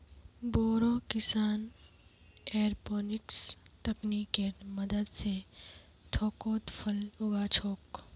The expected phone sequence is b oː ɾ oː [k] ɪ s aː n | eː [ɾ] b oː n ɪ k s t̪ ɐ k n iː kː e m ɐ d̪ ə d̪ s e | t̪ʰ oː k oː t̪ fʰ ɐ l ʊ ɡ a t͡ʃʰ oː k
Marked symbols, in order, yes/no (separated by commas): yes, yes